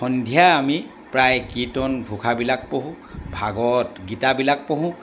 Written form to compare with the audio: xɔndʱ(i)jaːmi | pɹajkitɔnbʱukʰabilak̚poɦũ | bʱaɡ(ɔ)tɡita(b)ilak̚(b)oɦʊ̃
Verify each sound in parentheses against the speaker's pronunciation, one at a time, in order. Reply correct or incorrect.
correct, correct, correct, incorrect

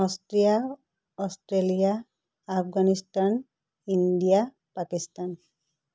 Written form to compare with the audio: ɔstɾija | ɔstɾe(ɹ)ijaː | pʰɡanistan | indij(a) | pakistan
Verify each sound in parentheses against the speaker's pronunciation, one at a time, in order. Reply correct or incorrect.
incorrect, correct

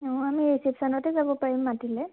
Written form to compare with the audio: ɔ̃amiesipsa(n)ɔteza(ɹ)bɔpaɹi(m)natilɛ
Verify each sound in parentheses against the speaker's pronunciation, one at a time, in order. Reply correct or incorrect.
correct, incorrect, correct

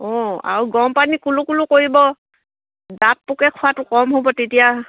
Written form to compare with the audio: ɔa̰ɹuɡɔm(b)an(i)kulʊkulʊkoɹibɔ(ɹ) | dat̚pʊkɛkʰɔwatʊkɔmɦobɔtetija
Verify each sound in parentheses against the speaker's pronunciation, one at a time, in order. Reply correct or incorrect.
incorrect, correct, incorrect

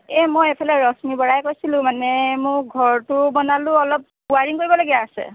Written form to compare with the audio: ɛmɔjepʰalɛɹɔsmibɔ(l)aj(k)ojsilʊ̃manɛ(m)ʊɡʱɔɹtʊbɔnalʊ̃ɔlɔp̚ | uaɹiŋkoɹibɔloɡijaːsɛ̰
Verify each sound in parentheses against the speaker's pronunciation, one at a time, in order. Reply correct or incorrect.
incorrect, correct, correct

